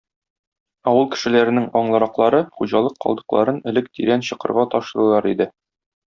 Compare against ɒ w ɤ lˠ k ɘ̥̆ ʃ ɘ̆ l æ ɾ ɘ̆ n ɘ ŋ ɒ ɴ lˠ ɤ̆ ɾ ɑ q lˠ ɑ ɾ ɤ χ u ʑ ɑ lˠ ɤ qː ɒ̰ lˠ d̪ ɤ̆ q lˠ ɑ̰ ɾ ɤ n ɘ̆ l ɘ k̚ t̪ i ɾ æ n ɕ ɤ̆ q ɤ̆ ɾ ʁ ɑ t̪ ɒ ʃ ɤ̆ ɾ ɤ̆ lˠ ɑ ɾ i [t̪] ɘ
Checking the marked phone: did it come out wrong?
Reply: yes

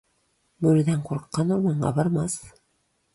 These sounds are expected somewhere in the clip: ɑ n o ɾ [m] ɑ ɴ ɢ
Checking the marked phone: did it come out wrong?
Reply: no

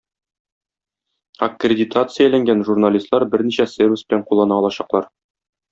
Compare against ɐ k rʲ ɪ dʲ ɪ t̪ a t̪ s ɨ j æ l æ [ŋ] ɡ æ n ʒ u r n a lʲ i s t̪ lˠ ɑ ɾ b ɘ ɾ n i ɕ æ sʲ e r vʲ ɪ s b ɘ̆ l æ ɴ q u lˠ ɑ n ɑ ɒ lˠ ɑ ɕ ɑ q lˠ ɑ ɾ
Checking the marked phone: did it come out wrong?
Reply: no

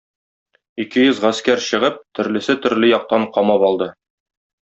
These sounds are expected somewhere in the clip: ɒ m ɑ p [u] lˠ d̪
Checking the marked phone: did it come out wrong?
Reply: yes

